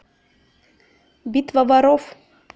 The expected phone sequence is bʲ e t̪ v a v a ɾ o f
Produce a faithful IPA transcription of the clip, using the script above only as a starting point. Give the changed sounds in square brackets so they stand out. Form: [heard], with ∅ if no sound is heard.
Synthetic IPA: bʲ [i] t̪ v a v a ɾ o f